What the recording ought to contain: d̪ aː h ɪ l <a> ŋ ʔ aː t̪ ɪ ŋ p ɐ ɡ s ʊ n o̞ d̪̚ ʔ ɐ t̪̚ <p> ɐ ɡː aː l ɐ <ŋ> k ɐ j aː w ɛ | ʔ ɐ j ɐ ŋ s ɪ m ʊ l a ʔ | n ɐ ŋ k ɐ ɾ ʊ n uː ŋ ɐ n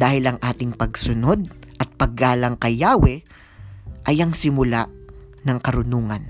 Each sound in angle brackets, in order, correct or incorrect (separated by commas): incorrect, correct, correct